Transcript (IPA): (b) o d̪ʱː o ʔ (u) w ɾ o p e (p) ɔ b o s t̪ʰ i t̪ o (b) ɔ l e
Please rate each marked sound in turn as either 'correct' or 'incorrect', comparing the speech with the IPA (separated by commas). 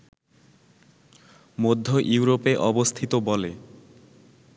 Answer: incorrect, correct, incorrect, correct